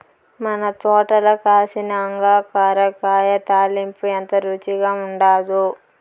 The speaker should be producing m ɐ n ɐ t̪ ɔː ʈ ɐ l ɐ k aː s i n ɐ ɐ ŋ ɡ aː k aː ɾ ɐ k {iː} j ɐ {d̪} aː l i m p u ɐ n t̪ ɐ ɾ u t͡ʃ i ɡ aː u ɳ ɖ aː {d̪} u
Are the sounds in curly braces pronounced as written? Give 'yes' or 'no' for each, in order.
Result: no, no, yes

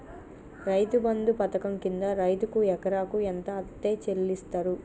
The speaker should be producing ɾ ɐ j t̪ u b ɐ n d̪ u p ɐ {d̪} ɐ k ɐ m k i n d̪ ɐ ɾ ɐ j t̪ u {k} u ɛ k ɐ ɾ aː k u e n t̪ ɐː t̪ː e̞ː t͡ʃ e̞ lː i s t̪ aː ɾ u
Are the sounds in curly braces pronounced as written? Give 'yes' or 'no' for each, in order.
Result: no, yes

